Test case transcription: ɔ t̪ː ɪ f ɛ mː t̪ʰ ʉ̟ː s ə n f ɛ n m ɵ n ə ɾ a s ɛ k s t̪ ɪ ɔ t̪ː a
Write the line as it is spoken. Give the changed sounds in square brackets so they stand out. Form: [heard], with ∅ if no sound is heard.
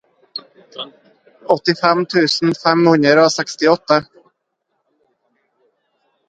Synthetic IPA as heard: ɔ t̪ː ɪ f ɛ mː t̪ʰ ʉ̟ː s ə n f ɛ [m] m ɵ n ə ɾ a s ɛ k s t̪ ɪ ɔ t̪ː a